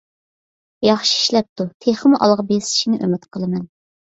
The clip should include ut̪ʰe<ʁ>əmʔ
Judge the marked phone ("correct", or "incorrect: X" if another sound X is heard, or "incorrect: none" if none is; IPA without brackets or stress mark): incorrect: χ